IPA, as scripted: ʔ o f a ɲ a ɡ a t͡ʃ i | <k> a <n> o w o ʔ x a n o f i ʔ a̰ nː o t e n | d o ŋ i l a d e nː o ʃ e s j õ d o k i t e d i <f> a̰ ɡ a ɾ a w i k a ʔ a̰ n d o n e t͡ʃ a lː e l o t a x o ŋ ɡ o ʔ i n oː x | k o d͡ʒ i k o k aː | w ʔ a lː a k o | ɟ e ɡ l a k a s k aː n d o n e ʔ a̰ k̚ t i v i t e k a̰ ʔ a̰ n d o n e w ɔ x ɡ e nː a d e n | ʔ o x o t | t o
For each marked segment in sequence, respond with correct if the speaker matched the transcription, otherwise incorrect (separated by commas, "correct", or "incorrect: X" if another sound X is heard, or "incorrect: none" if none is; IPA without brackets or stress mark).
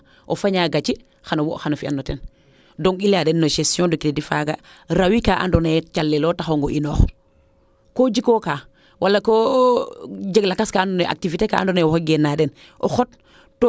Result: incorrect: x, correct, correct